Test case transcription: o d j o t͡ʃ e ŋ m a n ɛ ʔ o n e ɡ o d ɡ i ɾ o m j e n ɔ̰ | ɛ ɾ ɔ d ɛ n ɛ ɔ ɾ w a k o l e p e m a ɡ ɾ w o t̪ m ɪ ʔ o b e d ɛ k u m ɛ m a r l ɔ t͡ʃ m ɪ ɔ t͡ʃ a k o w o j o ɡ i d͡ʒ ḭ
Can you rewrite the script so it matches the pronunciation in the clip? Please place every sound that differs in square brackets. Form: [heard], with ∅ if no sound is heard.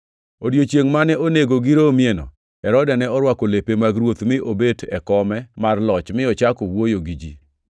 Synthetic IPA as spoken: o d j o t͡ʃ e ŋ m a n ɛ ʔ o n e ɡ o [∅] ɡ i ɾ o m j e n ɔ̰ | ɛ ɾ ɔ d ɛ n ɛ ɔ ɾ w a k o l e p e m a ɡ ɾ w o t̪ m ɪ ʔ o b e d ɛ k [ɔ] m ɛ m a r l ɔ t͡ʃ m ɪ ɔ t͡ʃ a k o w o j o ɡ i d͡ʒ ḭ